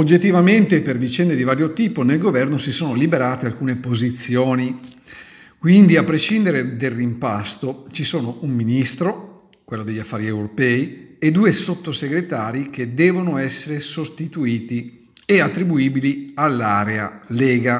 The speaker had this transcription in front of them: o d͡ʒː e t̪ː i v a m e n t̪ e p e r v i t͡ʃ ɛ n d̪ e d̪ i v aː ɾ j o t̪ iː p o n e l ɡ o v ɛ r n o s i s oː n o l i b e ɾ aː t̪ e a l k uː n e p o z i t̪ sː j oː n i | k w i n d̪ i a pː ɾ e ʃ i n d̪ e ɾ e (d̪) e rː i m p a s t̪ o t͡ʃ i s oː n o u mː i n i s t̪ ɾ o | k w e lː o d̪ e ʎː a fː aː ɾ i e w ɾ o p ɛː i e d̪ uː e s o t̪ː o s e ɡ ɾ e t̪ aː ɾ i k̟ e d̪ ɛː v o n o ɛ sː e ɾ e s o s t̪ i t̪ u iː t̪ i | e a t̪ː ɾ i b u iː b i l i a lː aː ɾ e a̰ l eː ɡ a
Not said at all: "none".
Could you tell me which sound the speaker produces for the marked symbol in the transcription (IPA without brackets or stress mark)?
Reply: d̪